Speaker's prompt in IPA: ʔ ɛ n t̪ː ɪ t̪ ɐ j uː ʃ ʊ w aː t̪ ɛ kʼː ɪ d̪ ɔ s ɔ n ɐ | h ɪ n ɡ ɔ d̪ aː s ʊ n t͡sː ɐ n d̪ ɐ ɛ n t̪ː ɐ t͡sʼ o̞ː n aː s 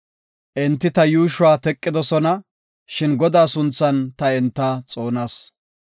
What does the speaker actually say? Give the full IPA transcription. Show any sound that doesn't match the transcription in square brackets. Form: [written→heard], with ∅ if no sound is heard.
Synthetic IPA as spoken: ʔ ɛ n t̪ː ɪ t̪ ɐ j uː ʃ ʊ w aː t̪ ɛ kʼː ɪ d̪ ɔ s ɔ n ɐ | [h→ʃ] ɪ n ɡ ɔ d̪ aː s ʊ n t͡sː ɐ n [d̪→t̪] ɐ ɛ n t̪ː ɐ t͡sʼ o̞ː n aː s